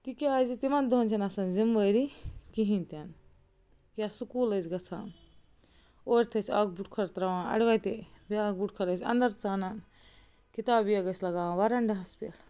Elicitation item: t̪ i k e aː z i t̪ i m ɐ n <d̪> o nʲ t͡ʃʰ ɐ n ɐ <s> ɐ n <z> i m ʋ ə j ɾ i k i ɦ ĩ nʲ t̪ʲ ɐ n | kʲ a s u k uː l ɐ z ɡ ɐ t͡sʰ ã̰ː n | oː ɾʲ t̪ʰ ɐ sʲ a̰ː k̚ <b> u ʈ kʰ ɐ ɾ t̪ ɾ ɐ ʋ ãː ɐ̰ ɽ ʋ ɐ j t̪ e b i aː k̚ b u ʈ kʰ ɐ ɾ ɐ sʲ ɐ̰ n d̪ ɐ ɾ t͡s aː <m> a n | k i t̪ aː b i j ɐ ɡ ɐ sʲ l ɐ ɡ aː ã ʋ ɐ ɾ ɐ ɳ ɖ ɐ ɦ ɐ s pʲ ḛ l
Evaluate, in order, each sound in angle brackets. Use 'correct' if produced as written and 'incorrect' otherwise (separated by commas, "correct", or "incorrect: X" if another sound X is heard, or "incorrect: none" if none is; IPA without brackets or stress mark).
correct, correct, correct, correct, incorrect: n